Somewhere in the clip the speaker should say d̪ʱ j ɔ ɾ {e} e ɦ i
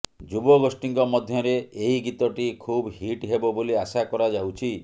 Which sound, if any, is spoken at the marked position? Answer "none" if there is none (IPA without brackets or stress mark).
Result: e